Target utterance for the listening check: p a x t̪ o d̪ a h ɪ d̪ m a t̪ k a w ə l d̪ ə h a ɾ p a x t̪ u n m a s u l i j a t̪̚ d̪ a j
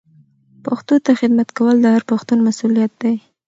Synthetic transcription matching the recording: p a x t̪ o t̪ a x ɪ d̪ m a t̪ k a w ə l d̪ ə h a ɾ p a x t̪ u n m a s u l i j a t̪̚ d̪ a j